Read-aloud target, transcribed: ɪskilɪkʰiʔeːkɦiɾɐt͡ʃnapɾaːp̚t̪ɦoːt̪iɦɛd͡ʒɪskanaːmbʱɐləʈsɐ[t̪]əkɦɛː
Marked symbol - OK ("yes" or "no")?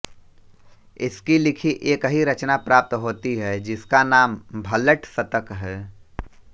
yes